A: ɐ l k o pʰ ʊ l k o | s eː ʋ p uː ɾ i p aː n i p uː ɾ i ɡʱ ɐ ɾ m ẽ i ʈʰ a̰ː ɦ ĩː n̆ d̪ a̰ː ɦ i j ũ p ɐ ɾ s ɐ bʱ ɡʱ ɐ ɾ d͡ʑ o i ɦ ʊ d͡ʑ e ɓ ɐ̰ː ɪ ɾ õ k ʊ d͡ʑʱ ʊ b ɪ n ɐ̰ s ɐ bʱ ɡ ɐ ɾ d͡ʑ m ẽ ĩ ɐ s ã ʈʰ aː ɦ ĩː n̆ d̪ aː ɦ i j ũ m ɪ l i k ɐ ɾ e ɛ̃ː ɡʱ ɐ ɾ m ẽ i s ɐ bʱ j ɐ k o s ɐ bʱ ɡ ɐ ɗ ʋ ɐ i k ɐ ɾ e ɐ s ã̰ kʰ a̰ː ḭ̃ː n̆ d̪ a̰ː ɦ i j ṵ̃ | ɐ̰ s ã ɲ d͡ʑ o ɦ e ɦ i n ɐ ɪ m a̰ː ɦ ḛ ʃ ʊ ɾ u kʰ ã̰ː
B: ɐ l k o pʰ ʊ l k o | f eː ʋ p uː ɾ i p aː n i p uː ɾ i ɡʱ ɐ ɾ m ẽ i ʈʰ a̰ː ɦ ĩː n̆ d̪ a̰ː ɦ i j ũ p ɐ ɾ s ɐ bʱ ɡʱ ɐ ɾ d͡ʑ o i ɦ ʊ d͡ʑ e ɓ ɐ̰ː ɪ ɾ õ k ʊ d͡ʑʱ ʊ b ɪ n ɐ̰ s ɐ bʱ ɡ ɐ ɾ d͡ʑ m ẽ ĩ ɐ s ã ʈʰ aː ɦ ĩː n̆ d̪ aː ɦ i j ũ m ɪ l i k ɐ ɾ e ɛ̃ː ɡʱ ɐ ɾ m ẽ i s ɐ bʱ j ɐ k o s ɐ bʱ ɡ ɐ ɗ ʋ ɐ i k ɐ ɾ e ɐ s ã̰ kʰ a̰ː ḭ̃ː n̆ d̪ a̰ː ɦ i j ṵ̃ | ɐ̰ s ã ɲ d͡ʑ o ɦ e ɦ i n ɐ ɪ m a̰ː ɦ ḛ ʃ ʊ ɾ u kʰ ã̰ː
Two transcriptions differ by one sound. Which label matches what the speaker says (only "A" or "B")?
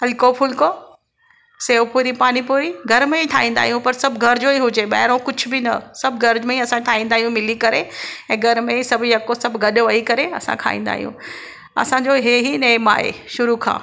A